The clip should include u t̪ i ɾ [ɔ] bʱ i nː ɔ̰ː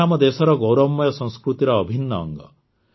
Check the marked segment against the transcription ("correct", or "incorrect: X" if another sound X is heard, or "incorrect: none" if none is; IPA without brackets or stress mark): incorrect: ɔː